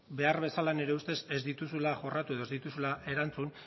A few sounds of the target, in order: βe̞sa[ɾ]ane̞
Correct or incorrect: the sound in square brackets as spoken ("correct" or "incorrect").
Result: incorrect